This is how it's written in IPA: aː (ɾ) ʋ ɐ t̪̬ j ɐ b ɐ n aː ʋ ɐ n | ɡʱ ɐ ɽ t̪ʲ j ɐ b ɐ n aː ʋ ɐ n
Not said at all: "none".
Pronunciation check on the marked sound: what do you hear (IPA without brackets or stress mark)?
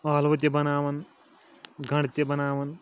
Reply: l